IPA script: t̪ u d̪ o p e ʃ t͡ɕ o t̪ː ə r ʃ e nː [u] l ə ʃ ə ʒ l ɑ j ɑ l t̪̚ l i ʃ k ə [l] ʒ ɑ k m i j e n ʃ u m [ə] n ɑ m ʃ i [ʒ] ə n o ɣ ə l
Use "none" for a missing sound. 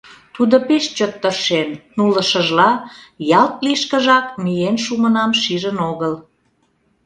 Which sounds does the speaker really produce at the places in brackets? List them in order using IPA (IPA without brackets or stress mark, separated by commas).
u, none, ə, ʒ